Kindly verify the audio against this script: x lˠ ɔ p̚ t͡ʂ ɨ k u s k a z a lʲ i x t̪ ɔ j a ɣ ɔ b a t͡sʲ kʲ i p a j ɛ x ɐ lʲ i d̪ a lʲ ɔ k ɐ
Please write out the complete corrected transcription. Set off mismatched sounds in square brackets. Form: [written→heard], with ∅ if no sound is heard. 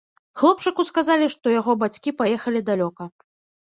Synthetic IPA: x lˠ ɔ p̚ t͡ʂ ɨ k u s k a z a lʲ i [x→ʂ] t̪ ɔ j a ɣ ɔ b a t͡sʲ kʲ i p a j ɛ x ɐ lʲ i d̪ a lʲ ɔ k ɐ